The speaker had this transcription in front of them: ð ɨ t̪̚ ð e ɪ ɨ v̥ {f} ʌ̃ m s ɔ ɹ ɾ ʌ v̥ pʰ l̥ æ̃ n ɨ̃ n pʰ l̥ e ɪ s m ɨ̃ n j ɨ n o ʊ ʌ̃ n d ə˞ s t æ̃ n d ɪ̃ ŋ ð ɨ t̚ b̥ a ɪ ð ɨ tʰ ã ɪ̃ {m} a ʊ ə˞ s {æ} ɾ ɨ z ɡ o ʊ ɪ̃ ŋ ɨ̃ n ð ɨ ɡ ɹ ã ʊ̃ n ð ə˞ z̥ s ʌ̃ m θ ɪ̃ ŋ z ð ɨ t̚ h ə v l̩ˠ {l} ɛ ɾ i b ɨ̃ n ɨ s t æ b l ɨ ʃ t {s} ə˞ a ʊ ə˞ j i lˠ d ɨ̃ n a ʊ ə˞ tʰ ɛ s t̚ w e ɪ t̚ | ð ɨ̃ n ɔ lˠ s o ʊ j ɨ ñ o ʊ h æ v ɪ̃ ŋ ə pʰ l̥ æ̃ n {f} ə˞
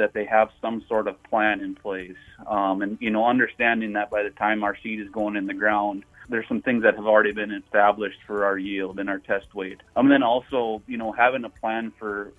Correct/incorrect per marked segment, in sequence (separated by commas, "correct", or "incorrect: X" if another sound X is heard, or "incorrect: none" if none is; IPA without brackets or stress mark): incorrect: s, correct, incorrect: i, incorrect: ɹ, incorrect: f, correct